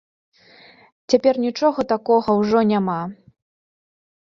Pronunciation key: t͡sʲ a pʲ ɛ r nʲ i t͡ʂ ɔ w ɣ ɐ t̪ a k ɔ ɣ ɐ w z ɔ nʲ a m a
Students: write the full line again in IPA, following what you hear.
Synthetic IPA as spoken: t͡sʲ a pʲ ɛ r nʲ i t͡ʂ ɔ ɣ ɐ t̪ a k ɔ ɣ ɐ w ʐ ɔ nʲ a m a